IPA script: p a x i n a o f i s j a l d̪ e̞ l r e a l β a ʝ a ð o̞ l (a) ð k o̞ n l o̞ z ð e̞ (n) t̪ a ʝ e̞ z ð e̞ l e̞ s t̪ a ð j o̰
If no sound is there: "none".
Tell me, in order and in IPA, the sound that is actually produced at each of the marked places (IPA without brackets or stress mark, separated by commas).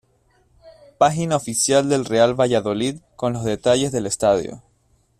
i, none